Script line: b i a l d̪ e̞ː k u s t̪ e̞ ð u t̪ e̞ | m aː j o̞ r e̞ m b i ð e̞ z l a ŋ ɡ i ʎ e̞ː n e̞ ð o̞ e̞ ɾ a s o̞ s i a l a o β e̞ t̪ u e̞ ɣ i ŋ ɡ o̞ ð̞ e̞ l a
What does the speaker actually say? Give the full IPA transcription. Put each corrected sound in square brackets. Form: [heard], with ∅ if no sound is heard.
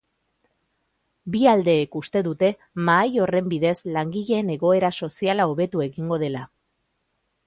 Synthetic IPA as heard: b i a l d̪ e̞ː k u s t̪ e̞ ð u t̪ e̞ | m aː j o̞ r e̞ m b i ð e̞ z l a ŋ ɡ i ʎ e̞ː n e̞ [ɣ] o̞ e̞ ɾ a s o̞ s i a l a o β e̞ t̪ u e̞ ɣ i ŋ ɡ o̞ ð̞ e̞ l a